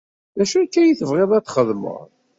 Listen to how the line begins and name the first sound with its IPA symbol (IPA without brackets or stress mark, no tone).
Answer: ð